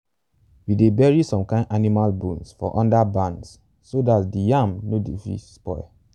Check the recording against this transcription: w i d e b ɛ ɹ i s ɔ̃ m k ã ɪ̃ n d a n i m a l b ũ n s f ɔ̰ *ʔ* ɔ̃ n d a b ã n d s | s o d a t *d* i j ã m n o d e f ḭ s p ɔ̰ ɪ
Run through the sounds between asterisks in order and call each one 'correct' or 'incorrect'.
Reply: correct, correct

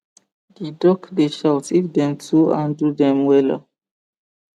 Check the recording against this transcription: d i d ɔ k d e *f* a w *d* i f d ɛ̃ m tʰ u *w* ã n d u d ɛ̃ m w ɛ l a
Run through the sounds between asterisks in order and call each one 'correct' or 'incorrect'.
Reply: incorrect: ʃ, incorrect: t, incorrect: none

